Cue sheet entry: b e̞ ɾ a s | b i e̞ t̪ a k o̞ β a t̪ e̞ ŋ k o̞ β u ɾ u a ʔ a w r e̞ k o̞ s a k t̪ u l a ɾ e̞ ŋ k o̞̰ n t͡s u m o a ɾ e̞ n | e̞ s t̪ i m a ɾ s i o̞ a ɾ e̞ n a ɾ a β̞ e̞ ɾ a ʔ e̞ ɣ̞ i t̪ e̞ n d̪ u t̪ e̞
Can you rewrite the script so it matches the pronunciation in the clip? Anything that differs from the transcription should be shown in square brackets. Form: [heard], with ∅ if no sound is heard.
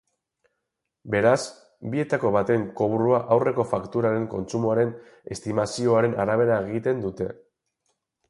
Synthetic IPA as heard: b e̞ ɾ a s | b i e̞ t̪ a k o̞ β a t̪ e̞ ŋ k o̞ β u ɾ u a ʔ a w r e̞ k o̞ [f] a k t̪ u [ɾ] a ɾ e̞ ŋ k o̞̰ n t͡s u m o a ɾ e̞ n | e̞ s t̪ i m a [∅] s i o̞ a ɾ e̞ n a ɾ a β̞ e̞ ɾ a [∅] e̞ ɣ̞ i t̪ e̞ n d̪ u t̪ e̞